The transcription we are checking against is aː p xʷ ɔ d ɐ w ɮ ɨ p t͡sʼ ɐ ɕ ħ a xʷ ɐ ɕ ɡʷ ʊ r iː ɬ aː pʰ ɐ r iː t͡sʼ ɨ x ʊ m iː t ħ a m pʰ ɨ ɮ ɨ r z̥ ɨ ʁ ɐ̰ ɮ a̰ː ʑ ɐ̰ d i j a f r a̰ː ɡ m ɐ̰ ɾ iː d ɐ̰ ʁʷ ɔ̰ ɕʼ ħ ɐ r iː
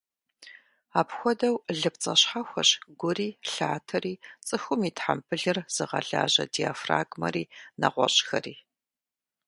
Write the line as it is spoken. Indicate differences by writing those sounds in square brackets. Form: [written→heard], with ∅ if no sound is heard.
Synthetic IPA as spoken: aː p xʷ ɔ d ɐ w ɮ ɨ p t͡sʼ ɐ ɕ ħ a xʷ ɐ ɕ ɡʷ ʊ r iː ɬ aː [pʰ→tʰ] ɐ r iː t͡sʼ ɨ x ʊ m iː t ħ a m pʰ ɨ ɮ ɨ r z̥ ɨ ʁ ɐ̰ ɮ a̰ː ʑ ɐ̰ d i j a f r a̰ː ɡ m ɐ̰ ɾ iː [d→n] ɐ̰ ʁʷ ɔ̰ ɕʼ [ħ→x] ɐ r iː